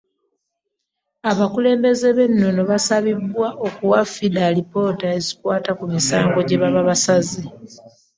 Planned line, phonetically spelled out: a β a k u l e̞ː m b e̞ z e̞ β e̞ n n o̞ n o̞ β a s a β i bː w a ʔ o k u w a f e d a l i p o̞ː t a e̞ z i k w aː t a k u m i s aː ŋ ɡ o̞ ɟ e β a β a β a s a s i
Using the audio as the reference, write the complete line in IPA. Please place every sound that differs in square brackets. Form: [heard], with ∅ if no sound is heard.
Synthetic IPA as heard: a β a k u l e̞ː m b e̞ z e̞ β e̞ n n o̞ n o̞ β a s a β i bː w a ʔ o k u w a f [i] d a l i p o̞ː t a e̞ z i k w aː t a k u m i s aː ŋ ɡ o̞ ɟ e β a β a β a s a [z] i